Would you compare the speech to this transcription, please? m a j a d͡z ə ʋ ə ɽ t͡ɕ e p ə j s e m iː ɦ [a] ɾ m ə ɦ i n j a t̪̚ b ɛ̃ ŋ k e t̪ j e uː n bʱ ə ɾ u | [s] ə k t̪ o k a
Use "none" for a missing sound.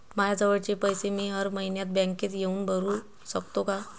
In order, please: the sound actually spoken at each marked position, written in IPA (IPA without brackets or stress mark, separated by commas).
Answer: ə, s